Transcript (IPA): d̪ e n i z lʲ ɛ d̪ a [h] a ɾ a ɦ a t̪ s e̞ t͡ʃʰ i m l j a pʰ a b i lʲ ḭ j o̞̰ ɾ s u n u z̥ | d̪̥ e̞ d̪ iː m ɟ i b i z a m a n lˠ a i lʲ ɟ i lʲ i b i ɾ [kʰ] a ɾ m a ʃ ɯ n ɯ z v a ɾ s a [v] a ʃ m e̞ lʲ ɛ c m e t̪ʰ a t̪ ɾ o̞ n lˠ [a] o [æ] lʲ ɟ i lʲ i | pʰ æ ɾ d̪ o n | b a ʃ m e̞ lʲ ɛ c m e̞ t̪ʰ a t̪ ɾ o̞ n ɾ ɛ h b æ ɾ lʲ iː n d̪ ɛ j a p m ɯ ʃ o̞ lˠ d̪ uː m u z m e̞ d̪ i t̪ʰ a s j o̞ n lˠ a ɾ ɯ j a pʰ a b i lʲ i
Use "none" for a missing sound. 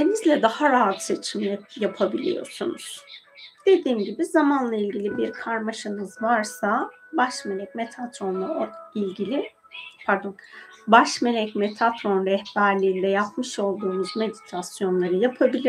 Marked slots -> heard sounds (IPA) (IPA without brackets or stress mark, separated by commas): h, kʰ, b, a, i